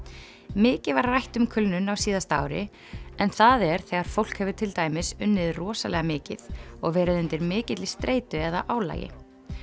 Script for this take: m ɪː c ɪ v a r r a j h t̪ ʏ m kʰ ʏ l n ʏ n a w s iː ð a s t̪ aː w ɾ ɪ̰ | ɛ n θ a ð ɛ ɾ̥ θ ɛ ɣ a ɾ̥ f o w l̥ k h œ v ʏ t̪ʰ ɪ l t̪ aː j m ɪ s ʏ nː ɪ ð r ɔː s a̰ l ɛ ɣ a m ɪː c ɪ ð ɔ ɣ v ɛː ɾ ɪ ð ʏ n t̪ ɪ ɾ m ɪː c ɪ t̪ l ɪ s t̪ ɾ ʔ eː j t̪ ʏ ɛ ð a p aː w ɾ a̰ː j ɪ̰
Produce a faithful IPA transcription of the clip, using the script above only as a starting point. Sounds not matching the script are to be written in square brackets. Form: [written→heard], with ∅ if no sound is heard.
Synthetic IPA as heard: m ɪː c ɪ v a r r a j h t̪ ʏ m kʰ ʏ l n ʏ n a w s iː ð a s t̪ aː w ɾ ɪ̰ | ɛ n θ a ð ɛ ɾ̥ θ ɛ ɣ a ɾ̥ f o w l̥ k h [œ→ɛ] v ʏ t̪ʰ ɪ l t̪ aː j m ɪ s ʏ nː ɪ ð r ɔː s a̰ l ɛ ɣ a m ɪː c ɪ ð ɔ ɣ v ɛː ɾ ɪ ð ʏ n t̪ ɪ ɾ m ɪː c ɪ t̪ l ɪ s t̪ ɾ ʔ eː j t̪ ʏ ɛ ð a [p→ʔ] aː w [ɾ→l] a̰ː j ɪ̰